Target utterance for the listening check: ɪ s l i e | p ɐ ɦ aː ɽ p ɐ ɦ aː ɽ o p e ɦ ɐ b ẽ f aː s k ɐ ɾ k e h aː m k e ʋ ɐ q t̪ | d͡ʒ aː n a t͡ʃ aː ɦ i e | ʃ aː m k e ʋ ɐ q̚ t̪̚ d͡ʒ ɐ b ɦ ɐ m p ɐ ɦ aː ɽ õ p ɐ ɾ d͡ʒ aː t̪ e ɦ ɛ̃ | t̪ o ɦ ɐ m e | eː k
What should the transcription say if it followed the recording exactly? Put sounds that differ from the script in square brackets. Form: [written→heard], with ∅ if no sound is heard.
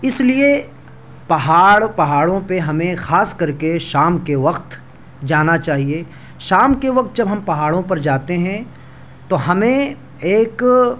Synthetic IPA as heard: ɪ s l i e | p ɐ ɦ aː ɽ p ɐ ɦ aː ɽ [o→õ] p e ɦ ɐ [b→m] ẽ [f→x] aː s k ɐ ɾ k e [h→ʃ] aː m k e ʋ ɐ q t̪ | d͡ʒ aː n a t͡ʃ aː ɦ i e | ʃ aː m k e ʋ ɐ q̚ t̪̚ d͡ʒ ɐ b ɦ ɐ m p ɐ ɦ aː ɽ õ p ɐ ɾ d͡ʒ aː t̪ e ɦ ɛ̃ | t̪ o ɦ ɐ m [e→ẽ] | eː k